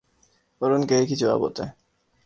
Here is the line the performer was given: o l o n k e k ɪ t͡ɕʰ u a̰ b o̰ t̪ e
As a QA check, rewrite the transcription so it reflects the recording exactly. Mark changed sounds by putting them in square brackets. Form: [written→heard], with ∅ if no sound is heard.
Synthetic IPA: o [l→ɾ] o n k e k [ɪ→i] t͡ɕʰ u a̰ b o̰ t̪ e

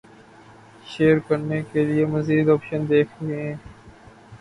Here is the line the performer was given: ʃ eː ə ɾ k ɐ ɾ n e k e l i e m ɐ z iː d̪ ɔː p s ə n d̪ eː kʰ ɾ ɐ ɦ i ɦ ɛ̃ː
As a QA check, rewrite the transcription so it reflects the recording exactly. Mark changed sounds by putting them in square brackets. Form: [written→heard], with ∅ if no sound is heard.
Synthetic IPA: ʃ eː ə ɾ k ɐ ɾ n e k e l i e m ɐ z iː d̪ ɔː p [s→ʃ] ə n d̪ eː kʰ ɾ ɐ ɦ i ɦ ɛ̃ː

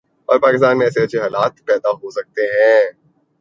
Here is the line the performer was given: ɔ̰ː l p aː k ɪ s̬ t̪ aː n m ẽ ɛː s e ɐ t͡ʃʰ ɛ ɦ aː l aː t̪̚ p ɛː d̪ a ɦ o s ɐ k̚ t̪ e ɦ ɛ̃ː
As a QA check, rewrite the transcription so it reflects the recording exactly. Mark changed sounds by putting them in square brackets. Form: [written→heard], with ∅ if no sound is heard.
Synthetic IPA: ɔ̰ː [l→ɾ] p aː k ɪ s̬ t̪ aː n m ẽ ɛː s e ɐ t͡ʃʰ [ɛ→e] ɦ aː l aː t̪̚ p ɛː d̪ a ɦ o s ɐ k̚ t̪ e ɦ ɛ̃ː

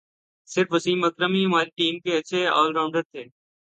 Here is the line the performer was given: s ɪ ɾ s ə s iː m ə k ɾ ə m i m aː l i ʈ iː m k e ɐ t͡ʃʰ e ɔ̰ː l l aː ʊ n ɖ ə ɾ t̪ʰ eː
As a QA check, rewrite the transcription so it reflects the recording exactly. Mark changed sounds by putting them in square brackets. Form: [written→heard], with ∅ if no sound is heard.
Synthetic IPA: s ɪ ɾ [s→f] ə s iː m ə k ɾ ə m i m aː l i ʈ iː m k e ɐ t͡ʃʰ e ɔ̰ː l [l→ɾ] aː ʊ [n→ɳ] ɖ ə ɾ t̪ʰ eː

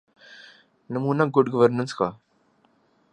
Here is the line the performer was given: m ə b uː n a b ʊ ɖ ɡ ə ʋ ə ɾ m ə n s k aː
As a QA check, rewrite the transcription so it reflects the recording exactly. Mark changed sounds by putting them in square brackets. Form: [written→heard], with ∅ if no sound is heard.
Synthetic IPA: [m→n] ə [b→m] uː n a [b→ɡ] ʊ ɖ ɡ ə ʋ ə ɾ [m→n] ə n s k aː

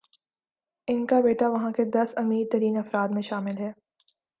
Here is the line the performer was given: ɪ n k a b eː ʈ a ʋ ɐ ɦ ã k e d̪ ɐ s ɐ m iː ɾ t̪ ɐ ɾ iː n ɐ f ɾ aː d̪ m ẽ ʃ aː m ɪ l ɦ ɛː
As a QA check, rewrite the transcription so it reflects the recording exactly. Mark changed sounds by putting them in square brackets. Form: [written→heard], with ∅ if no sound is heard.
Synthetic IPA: ɪ n k a b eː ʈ a ʋ ɐ ɦ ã k e d̪ ɐ s ɐ m iː ɾ t̪ ɐ ɾ iː n ɐ f ɾ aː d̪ m ẽ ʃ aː m ɪ l ɦ ɛː

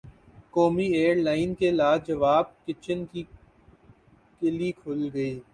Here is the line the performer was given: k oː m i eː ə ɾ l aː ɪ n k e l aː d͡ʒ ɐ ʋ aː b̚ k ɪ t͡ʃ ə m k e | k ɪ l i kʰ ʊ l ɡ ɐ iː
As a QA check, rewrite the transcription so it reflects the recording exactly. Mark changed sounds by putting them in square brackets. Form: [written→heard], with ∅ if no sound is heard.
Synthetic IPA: k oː m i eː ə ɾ l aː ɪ n k e l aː d͡ʒ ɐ ʋ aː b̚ k ɪ t͡ʃ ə [m→n] k [e→i] | k ɪ l i kʰ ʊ l ɡ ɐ iː

